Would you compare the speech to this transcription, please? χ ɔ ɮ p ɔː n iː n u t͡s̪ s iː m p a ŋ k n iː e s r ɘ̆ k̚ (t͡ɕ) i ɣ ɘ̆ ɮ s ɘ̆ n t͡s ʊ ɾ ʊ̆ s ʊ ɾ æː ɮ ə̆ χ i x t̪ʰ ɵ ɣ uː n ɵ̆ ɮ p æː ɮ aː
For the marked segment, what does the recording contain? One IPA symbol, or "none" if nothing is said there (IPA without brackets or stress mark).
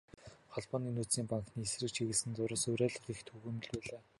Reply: t͡ɕʰ